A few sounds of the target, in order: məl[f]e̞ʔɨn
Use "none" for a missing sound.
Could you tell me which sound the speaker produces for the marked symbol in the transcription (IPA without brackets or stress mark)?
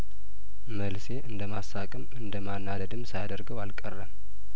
s